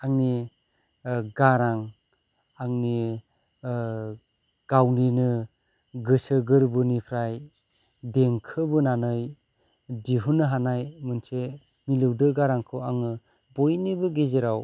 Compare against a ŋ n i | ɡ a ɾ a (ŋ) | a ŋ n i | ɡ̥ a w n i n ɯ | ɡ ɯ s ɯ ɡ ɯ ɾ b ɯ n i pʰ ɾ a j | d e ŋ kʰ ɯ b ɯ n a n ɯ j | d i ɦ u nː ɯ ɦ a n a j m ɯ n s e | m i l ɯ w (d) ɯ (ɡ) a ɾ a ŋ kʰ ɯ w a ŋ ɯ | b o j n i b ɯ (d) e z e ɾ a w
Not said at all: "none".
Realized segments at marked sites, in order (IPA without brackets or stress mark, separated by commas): ŋ, d, ɡ, ɡ